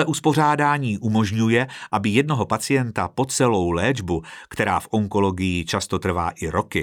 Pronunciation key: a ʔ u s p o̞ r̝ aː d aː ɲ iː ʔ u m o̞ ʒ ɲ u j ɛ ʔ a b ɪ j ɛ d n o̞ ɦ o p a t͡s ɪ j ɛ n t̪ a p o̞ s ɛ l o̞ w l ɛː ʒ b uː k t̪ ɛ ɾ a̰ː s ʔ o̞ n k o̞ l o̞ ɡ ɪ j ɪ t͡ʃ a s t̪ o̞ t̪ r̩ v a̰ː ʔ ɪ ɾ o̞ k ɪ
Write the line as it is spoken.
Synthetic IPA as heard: ɛ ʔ u s p o̞ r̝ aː d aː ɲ iː ʔ u m o̞ ʒ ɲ u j ɛ ʔ a b ɪ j ɛ d n o̞ ɦ o p a t͡s ɪ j ɛ n t̪ a p o̞ t͡s ɛ l o̞ w l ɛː d͡ʒ b u k t̪ ɛ ɾ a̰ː f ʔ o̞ ŋ k o̞ l o̞ ɡ ɪ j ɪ t͡ʃ a s t̪ o̞ t̪ r̩ v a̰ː ʔ ɪ ɾ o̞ k ɪ